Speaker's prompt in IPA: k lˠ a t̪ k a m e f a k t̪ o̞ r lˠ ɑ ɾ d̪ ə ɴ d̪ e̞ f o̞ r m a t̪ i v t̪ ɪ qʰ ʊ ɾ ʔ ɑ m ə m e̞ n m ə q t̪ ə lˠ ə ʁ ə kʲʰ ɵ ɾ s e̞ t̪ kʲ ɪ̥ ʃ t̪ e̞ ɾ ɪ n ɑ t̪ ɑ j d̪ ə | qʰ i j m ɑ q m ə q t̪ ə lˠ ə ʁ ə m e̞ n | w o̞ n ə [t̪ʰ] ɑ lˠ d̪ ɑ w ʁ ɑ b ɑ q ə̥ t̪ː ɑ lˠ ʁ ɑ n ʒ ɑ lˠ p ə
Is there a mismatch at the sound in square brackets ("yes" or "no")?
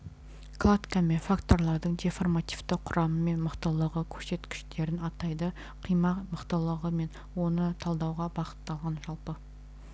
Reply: no